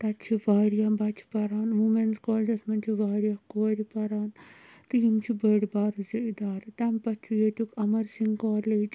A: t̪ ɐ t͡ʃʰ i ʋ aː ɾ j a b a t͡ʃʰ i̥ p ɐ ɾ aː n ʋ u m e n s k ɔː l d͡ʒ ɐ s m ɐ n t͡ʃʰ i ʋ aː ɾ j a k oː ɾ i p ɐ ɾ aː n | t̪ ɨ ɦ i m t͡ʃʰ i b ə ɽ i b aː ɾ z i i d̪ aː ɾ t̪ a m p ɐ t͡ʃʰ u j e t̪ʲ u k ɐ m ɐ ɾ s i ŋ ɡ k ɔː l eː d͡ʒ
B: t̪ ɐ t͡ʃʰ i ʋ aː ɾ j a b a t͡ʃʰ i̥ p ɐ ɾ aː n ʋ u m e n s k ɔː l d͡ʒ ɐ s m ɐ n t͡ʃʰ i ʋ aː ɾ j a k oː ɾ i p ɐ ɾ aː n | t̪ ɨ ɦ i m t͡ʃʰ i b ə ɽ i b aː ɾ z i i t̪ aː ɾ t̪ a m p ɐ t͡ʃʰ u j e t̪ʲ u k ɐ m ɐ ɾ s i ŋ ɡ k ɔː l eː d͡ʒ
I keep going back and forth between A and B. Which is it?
A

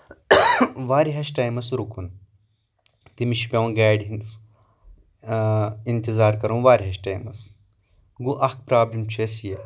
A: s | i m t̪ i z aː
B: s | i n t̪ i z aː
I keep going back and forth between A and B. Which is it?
B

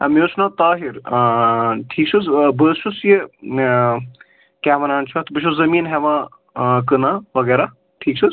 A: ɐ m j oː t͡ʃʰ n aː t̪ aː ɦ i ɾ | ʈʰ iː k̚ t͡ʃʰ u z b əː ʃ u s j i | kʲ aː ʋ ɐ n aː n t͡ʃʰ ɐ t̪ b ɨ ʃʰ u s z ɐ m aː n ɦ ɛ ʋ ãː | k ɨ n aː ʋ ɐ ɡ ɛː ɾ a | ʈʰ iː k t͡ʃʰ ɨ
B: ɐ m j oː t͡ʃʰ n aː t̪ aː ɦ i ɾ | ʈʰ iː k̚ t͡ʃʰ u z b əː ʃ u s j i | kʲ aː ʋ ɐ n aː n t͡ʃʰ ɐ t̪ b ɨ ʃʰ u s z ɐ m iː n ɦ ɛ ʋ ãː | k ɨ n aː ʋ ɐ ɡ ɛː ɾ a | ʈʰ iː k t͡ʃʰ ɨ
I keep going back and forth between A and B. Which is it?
B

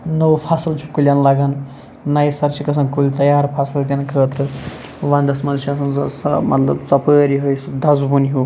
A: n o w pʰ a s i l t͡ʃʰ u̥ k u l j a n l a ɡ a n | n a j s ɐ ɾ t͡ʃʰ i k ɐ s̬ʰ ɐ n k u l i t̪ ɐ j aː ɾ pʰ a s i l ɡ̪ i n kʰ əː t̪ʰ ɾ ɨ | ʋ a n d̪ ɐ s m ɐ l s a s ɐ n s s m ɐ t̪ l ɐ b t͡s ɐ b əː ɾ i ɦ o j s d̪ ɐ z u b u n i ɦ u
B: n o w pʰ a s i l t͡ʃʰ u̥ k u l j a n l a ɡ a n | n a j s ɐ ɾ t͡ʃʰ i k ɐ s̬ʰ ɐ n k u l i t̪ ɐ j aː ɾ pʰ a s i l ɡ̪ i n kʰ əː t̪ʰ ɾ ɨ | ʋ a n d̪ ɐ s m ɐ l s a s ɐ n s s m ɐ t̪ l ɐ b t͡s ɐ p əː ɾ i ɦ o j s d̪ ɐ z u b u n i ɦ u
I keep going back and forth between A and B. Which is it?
B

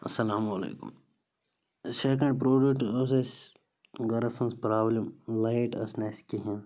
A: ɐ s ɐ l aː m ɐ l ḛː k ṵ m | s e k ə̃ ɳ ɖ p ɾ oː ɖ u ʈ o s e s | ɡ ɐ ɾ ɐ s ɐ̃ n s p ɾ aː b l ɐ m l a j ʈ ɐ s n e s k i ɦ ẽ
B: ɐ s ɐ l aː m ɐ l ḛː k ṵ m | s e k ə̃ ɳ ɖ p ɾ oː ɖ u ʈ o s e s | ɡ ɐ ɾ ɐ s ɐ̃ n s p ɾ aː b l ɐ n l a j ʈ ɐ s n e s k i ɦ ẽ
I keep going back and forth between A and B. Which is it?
A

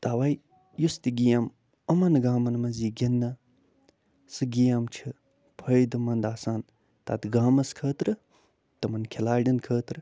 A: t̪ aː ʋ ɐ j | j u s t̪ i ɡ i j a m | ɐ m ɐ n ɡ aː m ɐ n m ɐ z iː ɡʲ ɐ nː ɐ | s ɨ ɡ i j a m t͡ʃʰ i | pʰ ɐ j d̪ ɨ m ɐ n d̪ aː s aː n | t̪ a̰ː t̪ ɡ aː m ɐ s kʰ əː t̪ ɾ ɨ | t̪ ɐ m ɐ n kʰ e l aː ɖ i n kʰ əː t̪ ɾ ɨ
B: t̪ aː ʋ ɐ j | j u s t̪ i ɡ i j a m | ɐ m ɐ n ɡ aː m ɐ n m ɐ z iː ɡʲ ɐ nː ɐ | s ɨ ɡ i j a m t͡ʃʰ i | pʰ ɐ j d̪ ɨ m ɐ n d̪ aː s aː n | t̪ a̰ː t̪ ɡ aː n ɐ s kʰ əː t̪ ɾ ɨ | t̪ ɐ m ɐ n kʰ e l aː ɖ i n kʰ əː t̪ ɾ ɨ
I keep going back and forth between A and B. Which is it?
A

